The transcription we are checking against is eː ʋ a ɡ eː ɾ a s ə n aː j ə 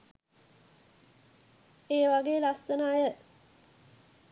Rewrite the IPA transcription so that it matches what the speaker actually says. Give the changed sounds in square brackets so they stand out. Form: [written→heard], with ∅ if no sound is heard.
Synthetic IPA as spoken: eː ʋ a ɡ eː [ɾ→l] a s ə n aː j ə